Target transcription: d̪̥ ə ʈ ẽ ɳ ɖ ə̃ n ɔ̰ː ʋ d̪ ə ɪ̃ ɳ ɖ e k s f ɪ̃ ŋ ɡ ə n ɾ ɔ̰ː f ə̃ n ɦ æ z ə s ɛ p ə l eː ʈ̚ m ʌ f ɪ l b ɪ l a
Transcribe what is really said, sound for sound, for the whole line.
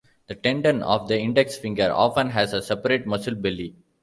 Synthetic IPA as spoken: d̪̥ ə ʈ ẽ ɳ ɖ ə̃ n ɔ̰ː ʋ d̪ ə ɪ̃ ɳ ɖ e k s f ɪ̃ ŋ ɡ ə ɾ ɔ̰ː f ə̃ n ɦ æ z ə s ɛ p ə ɾ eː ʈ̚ m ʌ s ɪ l b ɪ l i

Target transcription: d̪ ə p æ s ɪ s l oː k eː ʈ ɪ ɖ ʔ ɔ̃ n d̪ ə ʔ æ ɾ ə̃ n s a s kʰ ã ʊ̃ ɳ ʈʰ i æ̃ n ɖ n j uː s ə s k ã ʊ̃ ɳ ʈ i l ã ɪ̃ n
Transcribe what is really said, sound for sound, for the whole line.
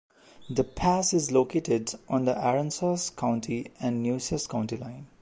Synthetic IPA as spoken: d̪ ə pʰ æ s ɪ z l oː k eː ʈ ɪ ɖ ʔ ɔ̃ n d̪ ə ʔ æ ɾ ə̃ n s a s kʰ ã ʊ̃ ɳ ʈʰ i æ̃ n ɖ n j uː s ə s k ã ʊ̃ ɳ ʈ i l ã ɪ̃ n

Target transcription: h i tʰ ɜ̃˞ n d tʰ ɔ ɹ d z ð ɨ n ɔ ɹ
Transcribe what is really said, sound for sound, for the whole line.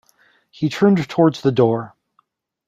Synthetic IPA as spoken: h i tʰ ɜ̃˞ n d tʰ ɔ ɹ d z ð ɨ d ɔ ɹ

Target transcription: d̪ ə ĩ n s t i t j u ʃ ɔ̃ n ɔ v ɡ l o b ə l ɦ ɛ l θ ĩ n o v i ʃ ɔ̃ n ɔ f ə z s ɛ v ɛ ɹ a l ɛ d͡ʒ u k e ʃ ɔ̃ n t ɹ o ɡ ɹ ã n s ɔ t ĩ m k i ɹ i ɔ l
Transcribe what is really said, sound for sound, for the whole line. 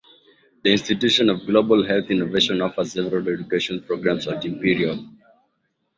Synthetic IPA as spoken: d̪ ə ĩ n s t i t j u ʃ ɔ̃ n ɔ v ɡ l o b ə l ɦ ɛ l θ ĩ n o v e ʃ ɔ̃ n ɔ f ə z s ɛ v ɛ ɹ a l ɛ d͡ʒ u k e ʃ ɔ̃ n p ɹ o ɡ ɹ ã m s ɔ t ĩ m p i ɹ i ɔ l

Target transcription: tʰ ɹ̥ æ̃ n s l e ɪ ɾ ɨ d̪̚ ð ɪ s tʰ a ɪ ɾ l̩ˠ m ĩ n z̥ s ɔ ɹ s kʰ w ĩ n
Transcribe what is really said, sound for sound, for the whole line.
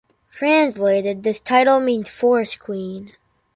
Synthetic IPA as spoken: tʰ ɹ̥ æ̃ n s l e ɪ ɾ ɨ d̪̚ ð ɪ s tʰ a ɪ ɾ l̩ˠ m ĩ n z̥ f ɔ ɹ s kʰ w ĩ n

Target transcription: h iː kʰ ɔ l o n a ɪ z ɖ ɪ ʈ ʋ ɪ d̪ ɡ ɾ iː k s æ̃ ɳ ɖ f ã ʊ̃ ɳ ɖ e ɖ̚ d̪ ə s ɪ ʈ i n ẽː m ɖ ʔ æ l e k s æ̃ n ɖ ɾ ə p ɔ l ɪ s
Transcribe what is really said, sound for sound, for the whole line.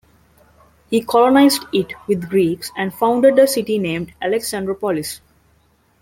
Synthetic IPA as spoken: h iː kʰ ɔ l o n a ɪ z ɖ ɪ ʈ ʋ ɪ d̪ ɡ ɾ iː k s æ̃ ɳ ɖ f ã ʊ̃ ɳ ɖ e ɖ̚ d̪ ə s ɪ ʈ i n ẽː m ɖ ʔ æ l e k s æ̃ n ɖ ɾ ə p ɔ l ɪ s

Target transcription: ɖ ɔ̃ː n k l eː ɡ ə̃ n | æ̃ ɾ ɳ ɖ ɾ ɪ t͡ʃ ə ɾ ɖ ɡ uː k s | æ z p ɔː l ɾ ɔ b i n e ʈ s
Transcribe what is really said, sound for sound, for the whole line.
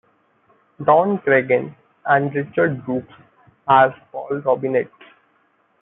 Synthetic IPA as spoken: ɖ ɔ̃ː n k ɾ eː ɡ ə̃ n | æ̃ ɳ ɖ ɾ ɪ t͡ʃ ə ɾ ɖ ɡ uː k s | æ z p ɔː l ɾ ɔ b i n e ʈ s

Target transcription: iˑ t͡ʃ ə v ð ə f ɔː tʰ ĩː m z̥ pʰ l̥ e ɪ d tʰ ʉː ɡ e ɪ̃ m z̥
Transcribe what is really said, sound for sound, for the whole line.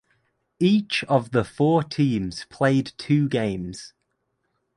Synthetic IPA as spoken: iˑ t͡ʃ ə v ð ə f ɔː tʰ ĩː m z̥ pʰ l̥ e ɪ d tʰ ʉː ɡ ẽ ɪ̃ m z̥

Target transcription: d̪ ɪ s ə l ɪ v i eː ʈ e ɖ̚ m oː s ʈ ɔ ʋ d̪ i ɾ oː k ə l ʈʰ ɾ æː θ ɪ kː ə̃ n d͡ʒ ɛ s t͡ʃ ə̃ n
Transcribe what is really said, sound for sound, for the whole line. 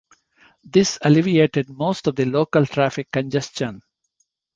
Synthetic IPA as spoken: d̪ ɪ s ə l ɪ ʋ i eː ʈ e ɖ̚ m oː s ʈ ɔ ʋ d̪ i l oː k ə l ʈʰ ɾ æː f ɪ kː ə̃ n d͡ʒ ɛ s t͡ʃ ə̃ n

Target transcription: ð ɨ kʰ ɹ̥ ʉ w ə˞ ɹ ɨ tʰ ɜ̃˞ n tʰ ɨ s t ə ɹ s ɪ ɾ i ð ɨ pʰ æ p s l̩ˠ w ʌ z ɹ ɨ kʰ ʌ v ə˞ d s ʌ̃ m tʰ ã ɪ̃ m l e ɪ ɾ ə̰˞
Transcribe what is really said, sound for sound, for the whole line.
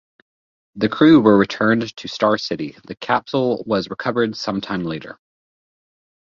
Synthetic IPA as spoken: ð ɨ kʰ ɹ̥ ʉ w ə˞ ɹ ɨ tʰ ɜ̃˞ n tʰ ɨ s t ɑ ɹ s ɪ ɾ i ð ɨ kʰ æ p s l̩ˠ w ʌ z ɹ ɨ kʰ ʌ v ə˞ d s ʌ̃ m tʰ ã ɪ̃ m l e ɪ ɾ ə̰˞

